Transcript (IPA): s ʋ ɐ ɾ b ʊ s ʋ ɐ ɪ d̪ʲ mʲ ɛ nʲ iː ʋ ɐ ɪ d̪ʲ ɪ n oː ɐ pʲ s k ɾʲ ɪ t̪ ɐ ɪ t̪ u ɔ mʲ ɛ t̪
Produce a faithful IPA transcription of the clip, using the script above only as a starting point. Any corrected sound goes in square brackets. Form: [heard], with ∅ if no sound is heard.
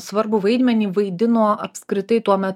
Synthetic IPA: s ʋ ɐ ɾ b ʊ [∅] ʋ ɐ ɪ d̪ʲ mʲ ɛ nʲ iː ʋ ɐ ɪ d̪ʲ ɪ n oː ɐ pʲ s k ɾʲ ɪ t̪ ɐ ɪ t̪ u ɔ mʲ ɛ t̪